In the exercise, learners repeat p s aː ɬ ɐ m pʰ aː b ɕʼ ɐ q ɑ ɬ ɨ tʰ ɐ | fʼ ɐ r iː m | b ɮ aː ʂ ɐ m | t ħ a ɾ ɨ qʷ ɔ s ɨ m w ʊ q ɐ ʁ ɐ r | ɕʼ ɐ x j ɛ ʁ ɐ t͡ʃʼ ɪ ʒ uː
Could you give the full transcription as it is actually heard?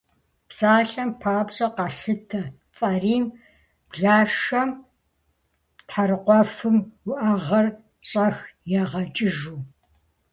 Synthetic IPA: p s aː ɬ ɐ m pʰ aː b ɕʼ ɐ q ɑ ɬ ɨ tʰ ɐ | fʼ ɐ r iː m | b ɮ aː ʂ ɐ m | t ħ a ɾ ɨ qʷ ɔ f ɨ m w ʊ ʔ ɐ ʁ ɐ r | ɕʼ ɐ x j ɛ ʁ ɐ t͡ʃʼ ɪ ʒ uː